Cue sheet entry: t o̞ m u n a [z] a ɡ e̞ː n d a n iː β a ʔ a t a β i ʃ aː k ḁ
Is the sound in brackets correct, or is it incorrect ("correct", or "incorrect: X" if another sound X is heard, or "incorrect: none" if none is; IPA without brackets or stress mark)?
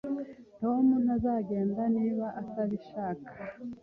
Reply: correct